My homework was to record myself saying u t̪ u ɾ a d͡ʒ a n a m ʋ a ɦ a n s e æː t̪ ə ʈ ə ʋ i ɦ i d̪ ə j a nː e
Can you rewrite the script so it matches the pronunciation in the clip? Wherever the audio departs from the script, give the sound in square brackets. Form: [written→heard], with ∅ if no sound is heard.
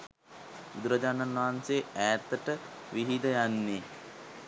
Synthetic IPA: u [t̪→d̪] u ɾ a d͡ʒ a n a [m→n] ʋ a ɦ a n s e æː t̪ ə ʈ ə ʋ i ɦ i d̪ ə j a nː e